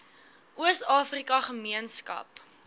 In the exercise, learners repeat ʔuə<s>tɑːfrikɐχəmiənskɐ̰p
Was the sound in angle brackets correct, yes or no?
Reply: yes